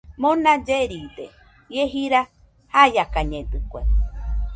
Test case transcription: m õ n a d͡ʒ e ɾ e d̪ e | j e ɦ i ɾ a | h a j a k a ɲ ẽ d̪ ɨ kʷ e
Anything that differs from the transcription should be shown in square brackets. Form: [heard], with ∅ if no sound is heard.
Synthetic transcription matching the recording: m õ n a d͡ʒ e ɾ [i] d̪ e | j e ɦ i ɾ a | h a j a k a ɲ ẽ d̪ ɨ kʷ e